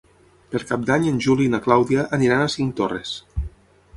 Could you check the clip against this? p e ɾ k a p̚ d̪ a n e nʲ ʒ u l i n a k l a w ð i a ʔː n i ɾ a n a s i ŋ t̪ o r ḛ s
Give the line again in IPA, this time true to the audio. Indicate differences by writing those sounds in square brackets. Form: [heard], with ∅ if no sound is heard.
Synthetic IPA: p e ɾ k a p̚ d̪ a [ɲ] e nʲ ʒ u l i n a k l a w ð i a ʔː n i ɾ a n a s i ŋ t̪ o r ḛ s